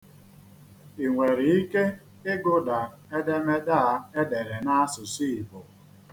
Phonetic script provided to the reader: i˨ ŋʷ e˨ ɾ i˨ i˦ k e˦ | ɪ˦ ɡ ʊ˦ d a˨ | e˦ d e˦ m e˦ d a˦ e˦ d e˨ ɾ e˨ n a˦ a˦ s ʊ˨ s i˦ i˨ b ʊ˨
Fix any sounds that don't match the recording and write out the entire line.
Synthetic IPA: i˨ ŋʷ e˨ ɾ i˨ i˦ k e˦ | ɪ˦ ɡ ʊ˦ d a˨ | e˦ d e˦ m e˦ d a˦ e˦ d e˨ ɾ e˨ n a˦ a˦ s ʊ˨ s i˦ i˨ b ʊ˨

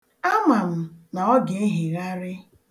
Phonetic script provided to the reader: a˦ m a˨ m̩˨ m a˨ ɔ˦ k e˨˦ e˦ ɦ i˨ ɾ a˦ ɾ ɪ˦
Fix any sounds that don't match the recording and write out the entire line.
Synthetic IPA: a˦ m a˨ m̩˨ n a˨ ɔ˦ ɡ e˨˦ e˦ ɦ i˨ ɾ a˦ ɾ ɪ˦

